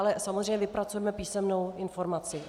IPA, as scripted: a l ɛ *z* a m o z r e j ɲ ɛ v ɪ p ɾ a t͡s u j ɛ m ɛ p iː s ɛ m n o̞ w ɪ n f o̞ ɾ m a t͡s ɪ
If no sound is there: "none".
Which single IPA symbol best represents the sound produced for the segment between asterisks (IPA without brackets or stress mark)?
s